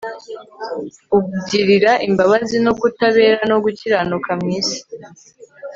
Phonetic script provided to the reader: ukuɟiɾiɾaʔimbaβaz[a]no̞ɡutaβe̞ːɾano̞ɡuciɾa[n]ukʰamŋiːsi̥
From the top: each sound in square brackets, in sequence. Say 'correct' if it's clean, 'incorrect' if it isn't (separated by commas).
incorrect, correct